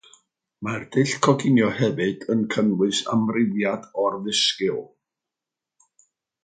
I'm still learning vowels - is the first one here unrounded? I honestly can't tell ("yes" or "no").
yes